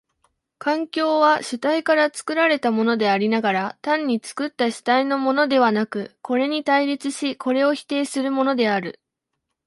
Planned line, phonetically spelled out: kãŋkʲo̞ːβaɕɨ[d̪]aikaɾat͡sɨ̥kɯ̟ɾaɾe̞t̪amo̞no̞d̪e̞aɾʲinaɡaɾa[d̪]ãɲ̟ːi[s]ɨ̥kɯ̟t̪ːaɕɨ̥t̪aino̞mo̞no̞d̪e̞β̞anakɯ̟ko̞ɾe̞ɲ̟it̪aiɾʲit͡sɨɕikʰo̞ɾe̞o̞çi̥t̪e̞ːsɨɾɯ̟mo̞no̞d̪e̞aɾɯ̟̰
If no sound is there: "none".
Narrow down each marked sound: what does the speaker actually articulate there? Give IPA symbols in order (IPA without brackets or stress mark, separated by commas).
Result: t̪, t̪, t͡s